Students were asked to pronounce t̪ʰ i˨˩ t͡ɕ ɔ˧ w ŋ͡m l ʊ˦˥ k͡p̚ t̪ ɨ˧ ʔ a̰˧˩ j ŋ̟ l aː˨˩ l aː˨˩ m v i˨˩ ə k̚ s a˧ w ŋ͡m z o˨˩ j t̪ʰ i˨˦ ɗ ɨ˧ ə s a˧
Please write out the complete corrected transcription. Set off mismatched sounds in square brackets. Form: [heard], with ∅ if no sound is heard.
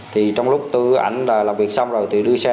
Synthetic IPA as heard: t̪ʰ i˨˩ t͡ɕ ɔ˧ w ŋ͡m l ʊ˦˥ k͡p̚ t̪ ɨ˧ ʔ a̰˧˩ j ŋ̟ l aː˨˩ l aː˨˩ m v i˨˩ ə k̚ s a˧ w ŋ͡m z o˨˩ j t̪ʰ [i˨˩] ɗ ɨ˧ ə s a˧